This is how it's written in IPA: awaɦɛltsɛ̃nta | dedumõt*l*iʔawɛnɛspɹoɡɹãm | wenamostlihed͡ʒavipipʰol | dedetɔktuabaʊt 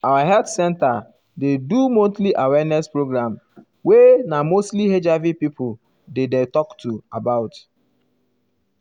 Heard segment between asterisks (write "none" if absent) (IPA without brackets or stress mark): l